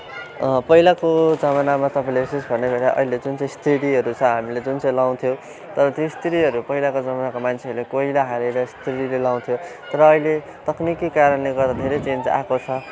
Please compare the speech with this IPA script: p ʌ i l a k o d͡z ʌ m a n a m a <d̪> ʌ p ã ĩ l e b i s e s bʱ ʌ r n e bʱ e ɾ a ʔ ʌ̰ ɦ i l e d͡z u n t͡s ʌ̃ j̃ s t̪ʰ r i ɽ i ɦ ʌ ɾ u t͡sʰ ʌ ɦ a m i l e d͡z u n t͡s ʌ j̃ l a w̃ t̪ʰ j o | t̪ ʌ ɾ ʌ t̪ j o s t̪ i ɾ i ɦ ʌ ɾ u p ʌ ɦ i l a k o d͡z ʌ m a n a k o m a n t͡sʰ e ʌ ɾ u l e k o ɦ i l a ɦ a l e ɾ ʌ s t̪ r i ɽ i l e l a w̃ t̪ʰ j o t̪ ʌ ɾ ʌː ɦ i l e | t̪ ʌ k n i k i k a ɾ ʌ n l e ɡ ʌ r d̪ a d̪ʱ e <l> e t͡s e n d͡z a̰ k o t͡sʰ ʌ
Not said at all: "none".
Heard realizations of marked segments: t̪, ɾ

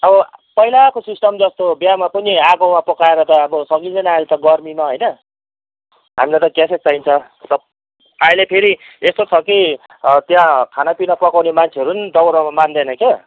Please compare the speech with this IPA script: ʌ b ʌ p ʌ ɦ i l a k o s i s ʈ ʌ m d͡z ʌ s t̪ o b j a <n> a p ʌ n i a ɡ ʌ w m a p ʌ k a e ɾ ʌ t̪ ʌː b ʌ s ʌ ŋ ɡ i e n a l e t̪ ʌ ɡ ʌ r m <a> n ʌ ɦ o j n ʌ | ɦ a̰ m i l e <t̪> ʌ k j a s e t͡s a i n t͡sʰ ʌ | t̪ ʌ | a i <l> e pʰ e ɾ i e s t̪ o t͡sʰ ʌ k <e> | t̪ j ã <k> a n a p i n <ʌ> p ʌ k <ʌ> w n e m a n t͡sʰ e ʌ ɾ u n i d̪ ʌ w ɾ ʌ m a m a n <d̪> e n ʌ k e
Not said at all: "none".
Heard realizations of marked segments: m, i, t̪, l, i, kʰ, ʌ, a, d̪

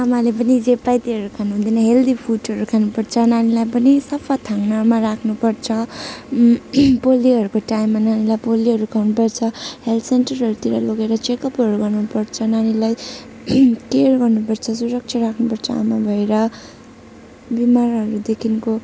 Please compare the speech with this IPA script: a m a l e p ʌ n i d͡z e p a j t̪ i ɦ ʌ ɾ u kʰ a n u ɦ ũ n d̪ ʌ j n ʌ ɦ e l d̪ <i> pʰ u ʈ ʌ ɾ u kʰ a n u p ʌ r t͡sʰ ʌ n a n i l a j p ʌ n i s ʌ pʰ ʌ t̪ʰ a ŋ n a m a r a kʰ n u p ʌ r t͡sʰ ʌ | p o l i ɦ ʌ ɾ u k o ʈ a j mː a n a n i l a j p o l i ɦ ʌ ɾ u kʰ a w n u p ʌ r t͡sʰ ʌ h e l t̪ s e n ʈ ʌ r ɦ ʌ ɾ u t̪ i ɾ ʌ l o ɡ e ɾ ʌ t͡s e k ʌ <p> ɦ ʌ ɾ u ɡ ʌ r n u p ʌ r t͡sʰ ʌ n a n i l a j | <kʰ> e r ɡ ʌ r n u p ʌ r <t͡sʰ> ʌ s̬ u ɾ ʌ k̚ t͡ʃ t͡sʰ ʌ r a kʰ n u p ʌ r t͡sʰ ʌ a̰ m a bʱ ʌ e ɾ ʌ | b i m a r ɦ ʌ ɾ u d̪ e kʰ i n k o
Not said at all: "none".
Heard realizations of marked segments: i, p, k, t͡sʰ

